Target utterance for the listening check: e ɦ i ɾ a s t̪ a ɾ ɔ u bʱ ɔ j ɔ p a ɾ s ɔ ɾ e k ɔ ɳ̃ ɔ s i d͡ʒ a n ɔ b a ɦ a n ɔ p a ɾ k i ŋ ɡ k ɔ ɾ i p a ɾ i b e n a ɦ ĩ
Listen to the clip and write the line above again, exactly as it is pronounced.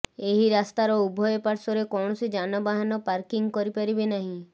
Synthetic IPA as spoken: e ɦ i ɾ a s t̪ a ɾ ɔ u bʱ ɔ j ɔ p a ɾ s ɔ ɾ e k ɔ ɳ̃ ɔ s i d͡ʒ a n ɔ b a ɦ a n ɔ p a ɾ k i ŋ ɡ k ɔ ɾ i p a ɾ i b e n a ɦ ĩ